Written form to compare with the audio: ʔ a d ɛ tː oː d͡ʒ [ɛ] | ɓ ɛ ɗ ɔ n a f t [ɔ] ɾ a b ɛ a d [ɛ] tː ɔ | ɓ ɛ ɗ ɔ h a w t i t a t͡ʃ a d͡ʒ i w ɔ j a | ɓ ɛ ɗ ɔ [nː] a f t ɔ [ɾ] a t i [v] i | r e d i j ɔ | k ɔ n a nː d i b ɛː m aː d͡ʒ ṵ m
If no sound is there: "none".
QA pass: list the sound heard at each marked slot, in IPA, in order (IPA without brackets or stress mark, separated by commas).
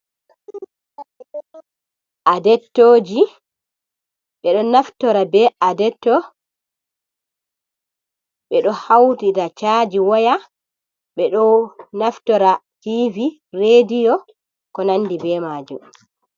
i, ɔ, ɛ, n, ɾ, v